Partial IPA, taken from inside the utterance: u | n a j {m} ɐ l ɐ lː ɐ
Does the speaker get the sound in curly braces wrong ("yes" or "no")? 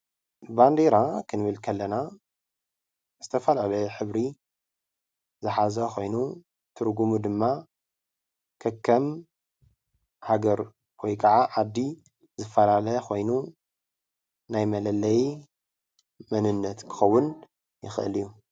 no